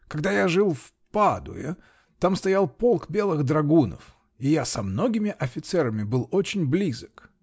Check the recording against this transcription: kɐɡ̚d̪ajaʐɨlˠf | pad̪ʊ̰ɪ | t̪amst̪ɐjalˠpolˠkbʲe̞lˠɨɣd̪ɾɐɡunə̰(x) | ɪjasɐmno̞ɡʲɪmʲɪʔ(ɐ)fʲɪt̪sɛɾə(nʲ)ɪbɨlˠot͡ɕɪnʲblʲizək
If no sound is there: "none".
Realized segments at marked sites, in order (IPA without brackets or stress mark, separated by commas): f, ɐ, mʲ